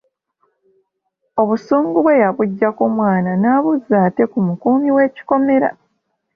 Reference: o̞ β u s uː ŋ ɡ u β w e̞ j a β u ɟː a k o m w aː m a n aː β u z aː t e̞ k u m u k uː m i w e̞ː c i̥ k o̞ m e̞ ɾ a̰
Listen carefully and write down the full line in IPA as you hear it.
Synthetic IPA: o̞ β u s uː ŋ ɡ u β w e̞ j a β u ɟː a k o m w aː n a n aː β u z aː t e̞ k u m u k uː m i w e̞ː c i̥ k o̞ m e̞ ɾ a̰